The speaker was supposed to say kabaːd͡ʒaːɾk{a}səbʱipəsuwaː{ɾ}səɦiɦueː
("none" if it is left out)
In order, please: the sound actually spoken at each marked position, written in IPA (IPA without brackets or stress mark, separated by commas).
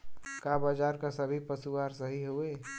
a, ɾ